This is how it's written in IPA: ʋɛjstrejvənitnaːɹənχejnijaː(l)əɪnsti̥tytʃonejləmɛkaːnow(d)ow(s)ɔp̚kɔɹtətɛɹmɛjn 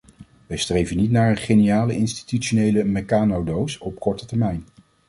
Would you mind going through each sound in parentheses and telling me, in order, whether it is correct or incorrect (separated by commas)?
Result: correct, correct, correct